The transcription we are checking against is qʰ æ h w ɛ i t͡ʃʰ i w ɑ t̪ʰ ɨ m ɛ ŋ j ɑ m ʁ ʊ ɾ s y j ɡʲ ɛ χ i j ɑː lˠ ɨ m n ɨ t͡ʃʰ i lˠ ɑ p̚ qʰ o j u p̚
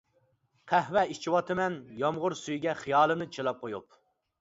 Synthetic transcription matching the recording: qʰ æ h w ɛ i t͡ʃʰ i w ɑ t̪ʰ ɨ m ɛ n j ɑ m ʁ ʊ ɾ s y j ɡʲ ɛ χ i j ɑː lˠ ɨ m n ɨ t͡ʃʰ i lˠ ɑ p̚ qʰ o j u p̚